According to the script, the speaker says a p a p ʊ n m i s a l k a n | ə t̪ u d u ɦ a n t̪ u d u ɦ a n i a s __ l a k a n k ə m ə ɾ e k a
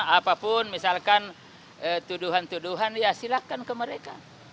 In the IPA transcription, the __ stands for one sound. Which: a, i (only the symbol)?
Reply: i